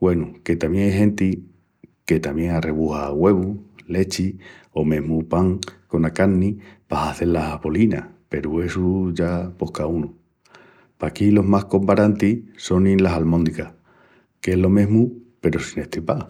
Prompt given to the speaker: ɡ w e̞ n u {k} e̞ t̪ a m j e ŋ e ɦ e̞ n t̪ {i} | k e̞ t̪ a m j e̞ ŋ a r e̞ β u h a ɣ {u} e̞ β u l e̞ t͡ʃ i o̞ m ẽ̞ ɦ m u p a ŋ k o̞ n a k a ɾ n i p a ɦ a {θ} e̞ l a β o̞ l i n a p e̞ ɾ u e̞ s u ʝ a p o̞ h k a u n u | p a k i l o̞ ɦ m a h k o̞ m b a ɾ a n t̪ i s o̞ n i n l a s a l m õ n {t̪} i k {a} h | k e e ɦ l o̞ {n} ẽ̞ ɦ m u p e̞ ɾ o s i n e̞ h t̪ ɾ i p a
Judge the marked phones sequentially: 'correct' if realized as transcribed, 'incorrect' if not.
correct, correct, incorrect: w, correct, incorrect: d̪, correct, incorrect: m

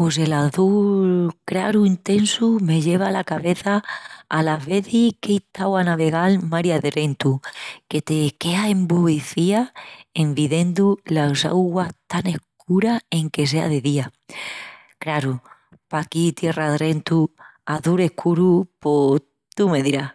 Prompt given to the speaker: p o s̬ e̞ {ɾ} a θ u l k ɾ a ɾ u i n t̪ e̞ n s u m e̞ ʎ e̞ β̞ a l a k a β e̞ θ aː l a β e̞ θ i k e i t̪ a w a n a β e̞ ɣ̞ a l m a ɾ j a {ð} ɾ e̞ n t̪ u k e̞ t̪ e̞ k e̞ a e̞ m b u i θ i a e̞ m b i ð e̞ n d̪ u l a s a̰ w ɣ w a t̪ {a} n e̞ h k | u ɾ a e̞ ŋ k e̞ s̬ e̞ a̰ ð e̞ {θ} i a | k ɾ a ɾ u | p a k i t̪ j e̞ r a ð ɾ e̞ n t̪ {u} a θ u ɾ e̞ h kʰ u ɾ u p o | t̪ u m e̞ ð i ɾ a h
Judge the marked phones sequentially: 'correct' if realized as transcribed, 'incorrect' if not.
incorrect: l, correct, correct, incorrect: ð, correct

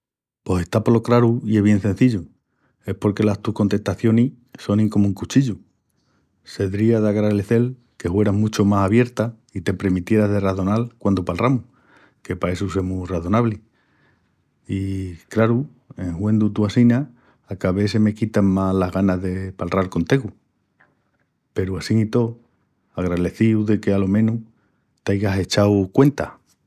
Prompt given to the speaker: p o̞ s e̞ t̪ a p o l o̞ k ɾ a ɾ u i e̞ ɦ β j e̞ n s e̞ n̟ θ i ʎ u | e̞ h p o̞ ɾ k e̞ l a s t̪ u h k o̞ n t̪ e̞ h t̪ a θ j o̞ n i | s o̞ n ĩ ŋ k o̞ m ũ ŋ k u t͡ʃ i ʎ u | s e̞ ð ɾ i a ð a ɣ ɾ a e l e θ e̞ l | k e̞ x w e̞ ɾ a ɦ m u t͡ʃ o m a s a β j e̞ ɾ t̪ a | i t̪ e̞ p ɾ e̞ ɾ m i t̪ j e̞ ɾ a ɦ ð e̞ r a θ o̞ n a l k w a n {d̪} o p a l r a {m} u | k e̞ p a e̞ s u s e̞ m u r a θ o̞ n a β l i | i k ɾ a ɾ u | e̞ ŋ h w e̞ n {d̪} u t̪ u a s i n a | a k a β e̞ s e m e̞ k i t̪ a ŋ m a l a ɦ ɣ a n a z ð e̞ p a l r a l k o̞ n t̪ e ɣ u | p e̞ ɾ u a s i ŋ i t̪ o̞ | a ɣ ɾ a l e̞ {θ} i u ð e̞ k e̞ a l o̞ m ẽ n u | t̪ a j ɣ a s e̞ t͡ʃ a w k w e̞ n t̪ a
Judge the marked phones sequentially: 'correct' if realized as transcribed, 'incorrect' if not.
correct, correct, correct, correct

